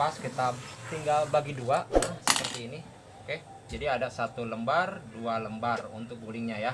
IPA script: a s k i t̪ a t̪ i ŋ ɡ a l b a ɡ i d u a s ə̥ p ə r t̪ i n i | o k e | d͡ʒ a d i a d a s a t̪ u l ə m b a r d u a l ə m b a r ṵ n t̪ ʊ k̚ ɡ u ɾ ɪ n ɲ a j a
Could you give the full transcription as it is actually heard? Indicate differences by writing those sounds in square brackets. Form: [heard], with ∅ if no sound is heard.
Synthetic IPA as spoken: a s k i t̪ a t̪ i ŋ ɡ a l b a ɡ i d u a s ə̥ p ə r t̪ [iː] n i | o k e | d͡ʒ a d i a d a s a t̪ u l ə m b a r d u a l ə m b a r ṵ n t̪ ʊ k̚ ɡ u [l] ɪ [ŋ] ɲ a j a